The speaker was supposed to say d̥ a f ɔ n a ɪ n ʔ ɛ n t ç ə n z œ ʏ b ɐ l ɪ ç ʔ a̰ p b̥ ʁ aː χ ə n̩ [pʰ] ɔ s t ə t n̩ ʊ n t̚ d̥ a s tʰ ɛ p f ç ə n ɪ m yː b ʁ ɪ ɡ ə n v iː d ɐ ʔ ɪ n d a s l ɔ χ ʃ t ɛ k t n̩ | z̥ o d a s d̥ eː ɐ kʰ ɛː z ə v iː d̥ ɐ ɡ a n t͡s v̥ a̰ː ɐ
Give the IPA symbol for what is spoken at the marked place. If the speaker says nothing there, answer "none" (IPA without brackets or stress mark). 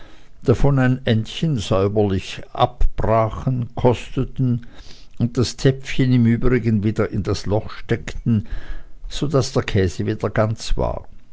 kʰ